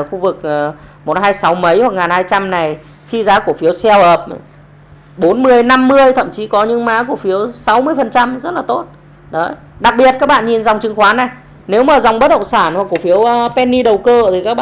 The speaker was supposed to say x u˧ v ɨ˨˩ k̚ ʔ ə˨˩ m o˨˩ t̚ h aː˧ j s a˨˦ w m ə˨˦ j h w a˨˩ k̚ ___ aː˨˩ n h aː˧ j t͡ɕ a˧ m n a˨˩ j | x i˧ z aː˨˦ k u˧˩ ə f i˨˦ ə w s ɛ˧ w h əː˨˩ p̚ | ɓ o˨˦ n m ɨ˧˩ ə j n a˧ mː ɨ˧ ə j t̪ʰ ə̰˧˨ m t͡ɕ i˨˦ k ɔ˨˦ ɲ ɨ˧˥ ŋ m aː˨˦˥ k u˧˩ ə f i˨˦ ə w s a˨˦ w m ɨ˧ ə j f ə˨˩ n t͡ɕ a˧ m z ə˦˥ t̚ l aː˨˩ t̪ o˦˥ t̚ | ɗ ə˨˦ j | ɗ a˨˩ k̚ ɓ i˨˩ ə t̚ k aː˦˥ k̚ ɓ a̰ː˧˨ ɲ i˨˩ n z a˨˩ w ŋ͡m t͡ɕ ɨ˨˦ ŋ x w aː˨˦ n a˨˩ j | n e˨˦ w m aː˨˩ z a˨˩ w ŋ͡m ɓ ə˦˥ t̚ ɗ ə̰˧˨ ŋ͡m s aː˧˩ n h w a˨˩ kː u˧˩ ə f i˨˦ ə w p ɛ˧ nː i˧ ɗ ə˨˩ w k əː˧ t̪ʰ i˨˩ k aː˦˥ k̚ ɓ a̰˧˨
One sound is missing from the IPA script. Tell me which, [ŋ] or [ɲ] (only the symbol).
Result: ŋ